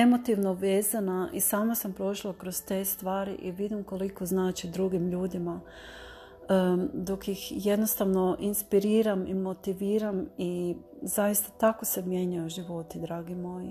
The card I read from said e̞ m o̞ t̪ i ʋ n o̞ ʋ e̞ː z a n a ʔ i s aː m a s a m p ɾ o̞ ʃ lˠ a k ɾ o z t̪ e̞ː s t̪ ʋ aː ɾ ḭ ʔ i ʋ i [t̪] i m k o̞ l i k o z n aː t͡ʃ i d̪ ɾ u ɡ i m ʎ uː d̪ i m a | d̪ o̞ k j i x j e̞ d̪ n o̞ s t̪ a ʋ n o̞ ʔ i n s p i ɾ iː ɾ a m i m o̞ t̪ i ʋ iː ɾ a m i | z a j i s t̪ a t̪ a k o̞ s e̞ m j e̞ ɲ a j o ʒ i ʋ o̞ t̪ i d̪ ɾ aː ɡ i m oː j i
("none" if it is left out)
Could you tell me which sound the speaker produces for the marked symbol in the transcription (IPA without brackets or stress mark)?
d̪